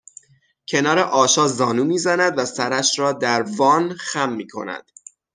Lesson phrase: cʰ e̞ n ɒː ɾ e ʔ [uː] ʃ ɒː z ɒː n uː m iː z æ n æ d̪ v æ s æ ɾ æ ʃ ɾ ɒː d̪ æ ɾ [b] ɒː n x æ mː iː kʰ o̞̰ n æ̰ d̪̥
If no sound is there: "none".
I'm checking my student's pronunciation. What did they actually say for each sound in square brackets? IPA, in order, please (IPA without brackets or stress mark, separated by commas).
ɒː, v